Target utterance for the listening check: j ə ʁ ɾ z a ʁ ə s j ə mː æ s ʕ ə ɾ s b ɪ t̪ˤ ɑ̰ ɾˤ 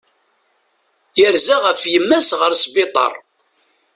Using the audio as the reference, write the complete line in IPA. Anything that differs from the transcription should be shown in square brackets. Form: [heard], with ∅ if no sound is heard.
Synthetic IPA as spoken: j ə [∅] ɾ z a ʁ ə [f] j ə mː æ s [ʁ] ə ɾ s b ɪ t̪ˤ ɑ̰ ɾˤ